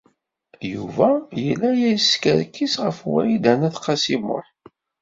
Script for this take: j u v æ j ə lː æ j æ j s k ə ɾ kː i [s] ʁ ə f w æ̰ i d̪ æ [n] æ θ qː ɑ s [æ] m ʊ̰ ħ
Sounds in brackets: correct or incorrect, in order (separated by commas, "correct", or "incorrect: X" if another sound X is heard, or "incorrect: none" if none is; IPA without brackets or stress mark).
correct, correct, incorrect: i